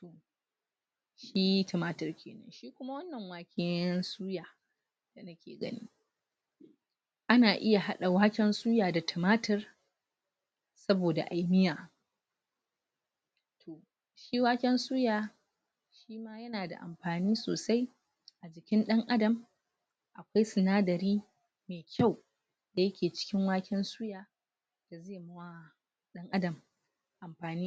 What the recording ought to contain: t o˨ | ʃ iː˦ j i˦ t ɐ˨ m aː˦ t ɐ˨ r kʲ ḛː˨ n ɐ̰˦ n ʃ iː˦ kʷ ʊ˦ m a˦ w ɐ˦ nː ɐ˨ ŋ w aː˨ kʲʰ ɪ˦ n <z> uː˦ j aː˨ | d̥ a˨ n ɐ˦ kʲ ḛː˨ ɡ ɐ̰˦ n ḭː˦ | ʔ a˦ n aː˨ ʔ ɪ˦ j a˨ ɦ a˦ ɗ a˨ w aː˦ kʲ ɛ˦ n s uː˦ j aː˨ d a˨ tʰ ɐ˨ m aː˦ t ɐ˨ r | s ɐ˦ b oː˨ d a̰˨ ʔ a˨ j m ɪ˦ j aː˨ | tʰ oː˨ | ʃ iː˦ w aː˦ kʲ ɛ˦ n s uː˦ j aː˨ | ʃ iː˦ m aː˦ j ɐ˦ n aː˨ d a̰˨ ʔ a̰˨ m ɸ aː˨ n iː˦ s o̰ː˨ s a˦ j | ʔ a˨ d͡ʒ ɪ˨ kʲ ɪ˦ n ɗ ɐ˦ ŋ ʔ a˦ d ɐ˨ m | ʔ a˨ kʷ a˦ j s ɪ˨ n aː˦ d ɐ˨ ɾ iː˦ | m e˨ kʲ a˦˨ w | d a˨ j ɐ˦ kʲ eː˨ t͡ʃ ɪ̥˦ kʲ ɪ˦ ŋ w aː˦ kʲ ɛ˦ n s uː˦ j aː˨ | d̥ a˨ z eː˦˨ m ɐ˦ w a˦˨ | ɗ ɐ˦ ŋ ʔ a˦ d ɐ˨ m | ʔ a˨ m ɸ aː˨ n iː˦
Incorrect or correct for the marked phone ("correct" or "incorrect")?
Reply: incorrect